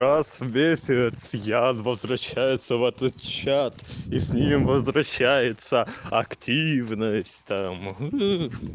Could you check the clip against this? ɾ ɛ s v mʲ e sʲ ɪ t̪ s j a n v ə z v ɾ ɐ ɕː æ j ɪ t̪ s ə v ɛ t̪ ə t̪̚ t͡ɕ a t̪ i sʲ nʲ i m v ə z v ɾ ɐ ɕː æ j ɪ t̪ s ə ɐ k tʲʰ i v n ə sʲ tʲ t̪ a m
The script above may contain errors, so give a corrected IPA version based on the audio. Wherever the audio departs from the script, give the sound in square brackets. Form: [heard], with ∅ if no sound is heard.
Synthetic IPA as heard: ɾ [a] s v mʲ e sʲ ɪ t̪ s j a n v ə z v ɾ ɐ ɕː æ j ɪ t̪ s ə v ɛ t̪ ə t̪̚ t͡ɕ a t̪ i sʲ nʲ i m v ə z v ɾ ɐ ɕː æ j ɪ t̪ s ə ɐ k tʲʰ i v n ə sʲ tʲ t̪ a m